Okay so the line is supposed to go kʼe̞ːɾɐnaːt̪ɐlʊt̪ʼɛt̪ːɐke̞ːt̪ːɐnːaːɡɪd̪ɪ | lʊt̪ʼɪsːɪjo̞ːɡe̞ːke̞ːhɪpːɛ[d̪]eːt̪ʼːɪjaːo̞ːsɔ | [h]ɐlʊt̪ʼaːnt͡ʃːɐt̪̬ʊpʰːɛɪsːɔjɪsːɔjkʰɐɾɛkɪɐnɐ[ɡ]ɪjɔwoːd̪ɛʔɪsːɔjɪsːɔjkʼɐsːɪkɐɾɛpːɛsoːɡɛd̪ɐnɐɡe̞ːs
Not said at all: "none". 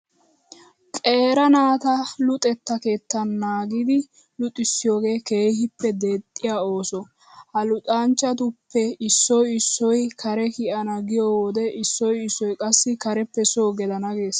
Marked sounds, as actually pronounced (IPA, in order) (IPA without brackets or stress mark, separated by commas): d̪, h, ɡ